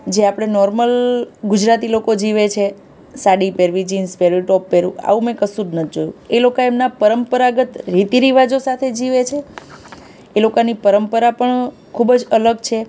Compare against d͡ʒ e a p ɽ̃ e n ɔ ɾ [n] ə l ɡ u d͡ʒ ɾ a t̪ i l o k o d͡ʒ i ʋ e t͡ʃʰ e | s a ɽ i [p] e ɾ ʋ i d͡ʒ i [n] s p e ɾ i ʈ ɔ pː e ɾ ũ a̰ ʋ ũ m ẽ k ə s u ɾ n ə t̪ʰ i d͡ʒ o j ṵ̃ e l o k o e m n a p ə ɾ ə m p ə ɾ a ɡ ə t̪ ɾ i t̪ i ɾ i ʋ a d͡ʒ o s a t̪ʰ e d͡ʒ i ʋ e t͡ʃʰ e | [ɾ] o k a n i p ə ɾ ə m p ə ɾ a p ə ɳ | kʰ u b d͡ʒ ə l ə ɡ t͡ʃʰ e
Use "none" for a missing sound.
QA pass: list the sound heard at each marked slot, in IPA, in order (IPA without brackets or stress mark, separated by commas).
m, p, n, l